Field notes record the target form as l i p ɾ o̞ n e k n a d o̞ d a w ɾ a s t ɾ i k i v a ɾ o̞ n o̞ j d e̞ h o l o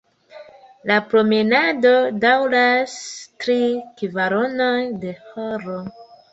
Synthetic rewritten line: l a p ɾ o̞ m e n a d o̞ d a w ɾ a s t ɾ i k i v a ɾ o̞ n o̞ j d e̞ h o ɾ o

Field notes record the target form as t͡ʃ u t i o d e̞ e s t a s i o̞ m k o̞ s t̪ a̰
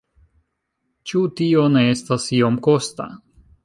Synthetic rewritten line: t͡ʃ u t i o n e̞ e s t a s i o̞ m k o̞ s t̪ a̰

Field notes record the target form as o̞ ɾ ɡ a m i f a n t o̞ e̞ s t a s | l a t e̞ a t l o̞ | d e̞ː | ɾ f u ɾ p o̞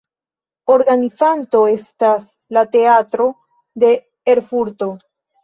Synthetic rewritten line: o̞ ɾ ɡ a n i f a n t o̞ e̞ s t a s | l a t e̞ a t ɾ o̞ | d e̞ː | ɾ f u ɾ t o̞

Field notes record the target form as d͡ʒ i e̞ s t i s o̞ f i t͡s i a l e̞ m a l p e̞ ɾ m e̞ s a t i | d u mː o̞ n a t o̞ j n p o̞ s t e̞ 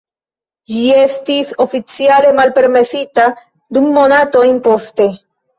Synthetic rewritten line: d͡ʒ i e̞ s t i s o̞ f i t͡s i a l e̞ m a l p e̞ ɾ m e̞ s i t a | d u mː o̞ n a t o̞ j n p o̞ s t e̞

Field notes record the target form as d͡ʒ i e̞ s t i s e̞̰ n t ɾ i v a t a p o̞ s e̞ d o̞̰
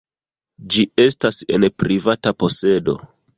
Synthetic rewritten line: d͡ʒ i e̞ s t a s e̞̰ n p ɾ i v a t a p o̞ s e̞ d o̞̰

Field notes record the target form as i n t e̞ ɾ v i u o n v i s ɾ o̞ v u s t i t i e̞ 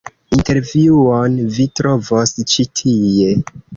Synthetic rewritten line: i n t e̞ ɾ v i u o n v i t ɾ o̞ v o s t͡ʃ i tʰ i e̞

